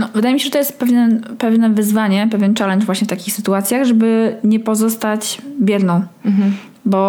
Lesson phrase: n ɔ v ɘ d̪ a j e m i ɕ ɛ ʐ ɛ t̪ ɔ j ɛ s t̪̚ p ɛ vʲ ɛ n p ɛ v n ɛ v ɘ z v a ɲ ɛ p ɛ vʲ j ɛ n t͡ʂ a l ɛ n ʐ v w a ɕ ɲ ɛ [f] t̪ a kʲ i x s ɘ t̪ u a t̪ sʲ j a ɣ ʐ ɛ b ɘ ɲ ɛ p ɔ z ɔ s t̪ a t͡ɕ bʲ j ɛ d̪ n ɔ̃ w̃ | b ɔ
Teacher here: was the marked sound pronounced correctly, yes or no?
yes